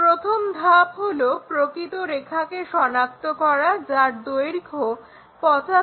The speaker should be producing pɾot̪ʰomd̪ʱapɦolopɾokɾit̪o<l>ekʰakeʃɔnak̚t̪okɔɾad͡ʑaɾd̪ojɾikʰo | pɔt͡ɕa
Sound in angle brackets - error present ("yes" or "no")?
yes